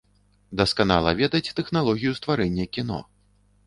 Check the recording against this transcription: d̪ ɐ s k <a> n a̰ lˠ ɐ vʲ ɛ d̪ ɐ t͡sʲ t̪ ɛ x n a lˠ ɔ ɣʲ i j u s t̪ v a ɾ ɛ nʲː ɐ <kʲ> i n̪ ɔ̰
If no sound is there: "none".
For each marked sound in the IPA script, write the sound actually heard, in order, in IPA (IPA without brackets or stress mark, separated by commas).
a, kʲ